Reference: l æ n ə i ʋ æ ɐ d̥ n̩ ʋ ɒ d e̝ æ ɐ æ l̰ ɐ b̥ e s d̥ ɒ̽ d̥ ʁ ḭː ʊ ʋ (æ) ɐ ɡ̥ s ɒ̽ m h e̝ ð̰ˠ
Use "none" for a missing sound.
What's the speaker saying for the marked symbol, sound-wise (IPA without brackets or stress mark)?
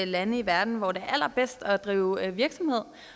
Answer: i